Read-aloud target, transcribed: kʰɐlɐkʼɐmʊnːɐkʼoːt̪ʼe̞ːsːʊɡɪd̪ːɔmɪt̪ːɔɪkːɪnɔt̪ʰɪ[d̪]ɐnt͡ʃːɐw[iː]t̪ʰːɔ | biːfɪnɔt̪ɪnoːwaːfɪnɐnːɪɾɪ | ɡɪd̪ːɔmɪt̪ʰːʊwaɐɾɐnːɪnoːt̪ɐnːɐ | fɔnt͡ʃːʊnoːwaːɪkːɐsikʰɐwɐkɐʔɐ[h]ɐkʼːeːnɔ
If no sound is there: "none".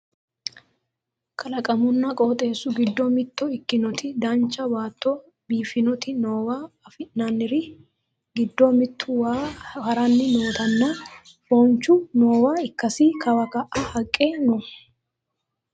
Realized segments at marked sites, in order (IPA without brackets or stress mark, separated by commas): d̪, aː, h